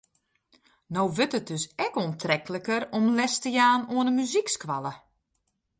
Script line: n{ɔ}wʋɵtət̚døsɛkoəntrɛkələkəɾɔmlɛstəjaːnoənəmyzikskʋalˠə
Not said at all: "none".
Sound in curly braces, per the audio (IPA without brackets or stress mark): o